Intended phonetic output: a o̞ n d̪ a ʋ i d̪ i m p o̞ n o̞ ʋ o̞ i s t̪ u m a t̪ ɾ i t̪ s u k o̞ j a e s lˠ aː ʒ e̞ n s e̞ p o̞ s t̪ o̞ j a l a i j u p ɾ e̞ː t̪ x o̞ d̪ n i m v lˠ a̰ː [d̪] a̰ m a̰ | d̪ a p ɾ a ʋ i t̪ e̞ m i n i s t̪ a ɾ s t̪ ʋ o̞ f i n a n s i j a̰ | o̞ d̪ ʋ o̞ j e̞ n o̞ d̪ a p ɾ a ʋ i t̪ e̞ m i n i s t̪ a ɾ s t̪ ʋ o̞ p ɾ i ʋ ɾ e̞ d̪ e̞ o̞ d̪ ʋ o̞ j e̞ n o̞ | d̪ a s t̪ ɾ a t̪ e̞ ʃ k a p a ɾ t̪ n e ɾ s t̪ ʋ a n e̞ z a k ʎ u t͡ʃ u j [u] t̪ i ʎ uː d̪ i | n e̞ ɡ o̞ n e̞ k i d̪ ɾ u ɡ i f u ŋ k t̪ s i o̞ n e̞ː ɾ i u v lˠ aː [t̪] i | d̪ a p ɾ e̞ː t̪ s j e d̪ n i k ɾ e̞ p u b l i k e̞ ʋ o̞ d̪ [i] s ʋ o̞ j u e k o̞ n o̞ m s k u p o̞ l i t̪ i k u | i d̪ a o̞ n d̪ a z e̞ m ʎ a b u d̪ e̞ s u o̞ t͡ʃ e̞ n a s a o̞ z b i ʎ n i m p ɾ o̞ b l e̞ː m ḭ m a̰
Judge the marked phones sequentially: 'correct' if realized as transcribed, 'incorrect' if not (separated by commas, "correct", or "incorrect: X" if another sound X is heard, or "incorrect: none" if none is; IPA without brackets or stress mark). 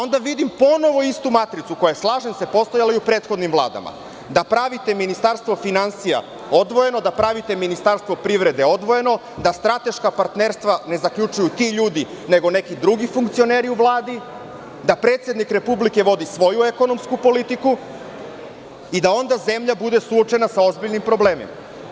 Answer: correct, correct, incorrect: d̪, correct